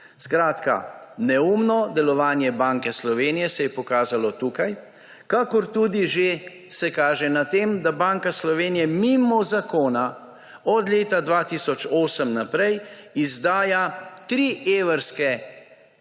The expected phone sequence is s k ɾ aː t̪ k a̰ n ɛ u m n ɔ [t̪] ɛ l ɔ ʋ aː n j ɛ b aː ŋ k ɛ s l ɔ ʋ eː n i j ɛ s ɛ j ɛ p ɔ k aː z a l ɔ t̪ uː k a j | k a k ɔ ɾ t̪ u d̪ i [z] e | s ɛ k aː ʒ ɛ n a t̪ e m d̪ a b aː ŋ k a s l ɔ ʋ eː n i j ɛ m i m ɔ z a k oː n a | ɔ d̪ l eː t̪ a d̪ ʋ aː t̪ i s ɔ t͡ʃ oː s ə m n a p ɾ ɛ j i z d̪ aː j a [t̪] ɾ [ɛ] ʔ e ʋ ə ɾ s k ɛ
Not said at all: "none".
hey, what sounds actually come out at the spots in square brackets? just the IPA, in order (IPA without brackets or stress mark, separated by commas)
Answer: d̪, ʒ, t̪, i